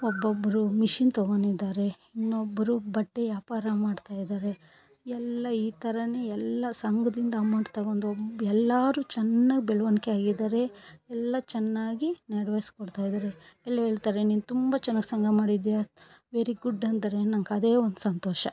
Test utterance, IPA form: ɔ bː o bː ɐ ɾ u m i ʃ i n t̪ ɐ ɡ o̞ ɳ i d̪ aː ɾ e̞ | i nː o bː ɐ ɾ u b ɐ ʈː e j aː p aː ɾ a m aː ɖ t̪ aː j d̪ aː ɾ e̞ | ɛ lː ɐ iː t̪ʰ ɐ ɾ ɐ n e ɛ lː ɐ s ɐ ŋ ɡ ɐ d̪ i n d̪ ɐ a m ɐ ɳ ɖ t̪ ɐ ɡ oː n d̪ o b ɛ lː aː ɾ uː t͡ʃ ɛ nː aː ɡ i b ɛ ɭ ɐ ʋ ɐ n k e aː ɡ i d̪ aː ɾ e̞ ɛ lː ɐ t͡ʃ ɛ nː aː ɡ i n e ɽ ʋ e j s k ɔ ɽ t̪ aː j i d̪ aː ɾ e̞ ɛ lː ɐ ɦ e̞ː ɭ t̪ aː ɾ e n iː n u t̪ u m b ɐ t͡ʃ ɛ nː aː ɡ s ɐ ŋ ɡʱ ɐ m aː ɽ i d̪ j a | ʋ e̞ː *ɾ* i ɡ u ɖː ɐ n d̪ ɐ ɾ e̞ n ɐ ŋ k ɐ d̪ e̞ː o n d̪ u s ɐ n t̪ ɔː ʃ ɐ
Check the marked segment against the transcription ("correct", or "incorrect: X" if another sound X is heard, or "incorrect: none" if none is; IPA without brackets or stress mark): correct